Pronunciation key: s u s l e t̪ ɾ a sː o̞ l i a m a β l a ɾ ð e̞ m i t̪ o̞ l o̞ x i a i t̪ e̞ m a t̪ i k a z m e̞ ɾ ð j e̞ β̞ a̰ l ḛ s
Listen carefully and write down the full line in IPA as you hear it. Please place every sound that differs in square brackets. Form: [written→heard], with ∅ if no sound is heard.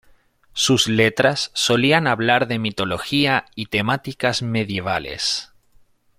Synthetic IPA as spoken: s u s l e t̪ ɾ a sː o̞ l i a [m→n] a β l a ɾ ð e̞ m i t̪ o̞ l o̞ x i a i t̪ e̞ m a t̪ i k a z m e̞ [ɾ→∅] ð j e̞ β̞ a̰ l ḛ s